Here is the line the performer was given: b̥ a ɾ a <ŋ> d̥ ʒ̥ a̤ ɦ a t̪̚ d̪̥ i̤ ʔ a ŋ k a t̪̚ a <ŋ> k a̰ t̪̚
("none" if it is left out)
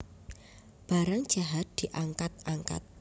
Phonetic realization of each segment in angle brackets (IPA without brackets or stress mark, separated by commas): ŋ, ŋ